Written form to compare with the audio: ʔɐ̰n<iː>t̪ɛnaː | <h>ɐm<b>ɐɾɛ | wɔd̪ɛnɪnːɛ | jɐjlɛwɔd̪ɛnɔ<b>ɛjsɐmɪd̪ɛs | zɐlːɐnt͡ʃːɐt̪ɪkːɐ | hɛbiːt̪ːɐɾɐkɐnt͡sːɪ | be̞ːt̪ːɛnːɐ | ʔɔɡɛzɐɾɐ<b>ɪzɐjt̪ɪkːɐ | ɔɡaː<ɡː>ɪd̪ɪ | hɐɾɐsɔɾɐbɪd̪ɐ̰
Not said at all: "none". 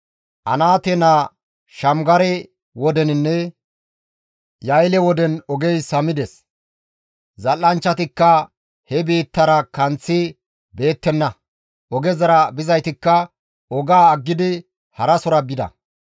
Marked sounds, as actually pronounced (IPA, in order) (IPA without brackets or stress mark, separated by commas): aː, ʃ, ɡ, ɡ, b, ɡː